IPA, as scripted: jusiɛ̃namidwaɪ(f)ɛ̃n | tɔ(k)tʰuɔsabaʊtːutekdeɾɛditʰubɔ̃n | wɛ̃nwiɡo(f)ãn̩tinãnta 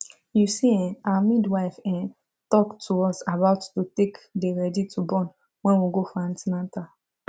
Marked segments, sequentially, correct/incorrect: correct, correct, correct

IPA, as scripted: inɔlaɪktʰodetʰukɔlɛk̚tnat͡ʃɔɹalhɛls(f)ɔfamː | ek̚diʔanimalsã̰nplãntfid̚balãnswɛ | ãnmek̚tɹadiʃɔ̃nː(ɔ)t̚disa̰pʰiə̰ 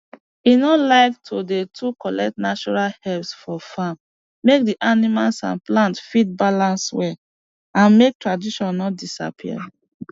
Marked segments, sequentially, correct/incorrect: correct, correct

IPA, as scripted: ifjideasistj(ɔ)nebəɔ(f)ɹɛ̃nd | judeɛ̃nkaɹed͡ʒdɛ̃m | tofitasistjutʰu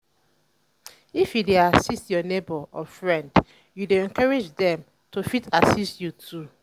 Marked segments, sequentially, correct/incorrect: correct, correct

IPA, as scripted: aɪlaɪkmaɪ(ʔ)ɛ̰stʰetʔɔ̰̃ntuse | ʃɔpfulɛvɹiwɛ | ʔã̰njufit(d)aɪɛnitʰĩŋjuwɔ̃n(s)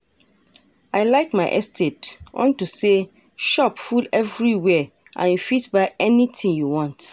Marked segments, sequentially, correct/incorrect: correct, incorrect, incorrect

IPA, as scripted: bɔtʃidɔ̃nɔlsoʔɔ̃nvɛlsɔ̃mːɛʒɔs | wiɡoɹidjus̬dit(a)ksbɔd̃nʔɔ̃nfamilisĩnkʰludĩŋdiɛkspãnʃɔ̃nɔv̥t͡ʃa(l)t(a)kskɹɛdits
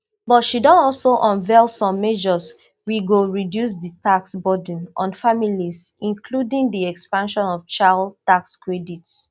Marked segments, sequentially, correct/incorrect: correct, correct, correct

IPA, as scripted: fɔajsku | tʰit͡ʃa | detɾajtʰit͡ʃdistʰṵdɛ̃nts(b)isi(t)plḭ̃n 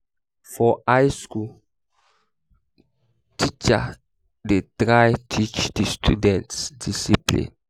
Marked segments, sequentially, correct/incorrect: incorrect, incorrect

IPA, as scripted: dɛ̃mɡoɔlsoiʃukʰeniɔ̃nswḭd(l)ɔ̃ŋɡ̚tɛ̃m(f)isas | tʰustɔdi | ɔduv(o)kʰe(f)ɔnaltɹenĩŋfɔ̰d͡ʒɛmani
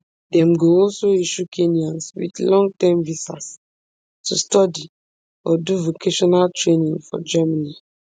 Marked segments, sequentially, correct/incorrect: correct, incorrect, correct, incorrect

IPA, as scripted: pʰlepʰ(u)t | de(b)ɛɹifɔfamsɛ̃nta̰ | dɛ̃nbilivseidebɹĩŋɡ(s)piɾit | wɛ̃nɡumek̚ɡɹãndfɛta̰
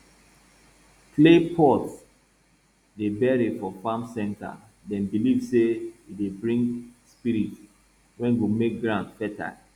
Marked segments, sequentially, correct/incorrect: incorrect, correct, correct

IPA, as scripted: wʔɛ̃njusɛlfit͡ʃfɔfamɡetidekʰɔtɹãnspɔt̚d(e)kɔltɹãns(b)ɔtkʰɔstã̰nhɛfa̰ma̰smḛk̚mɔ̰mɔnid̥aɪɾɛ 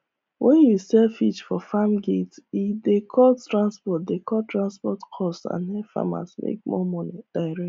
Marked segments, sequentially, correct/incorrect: correct, incorrect

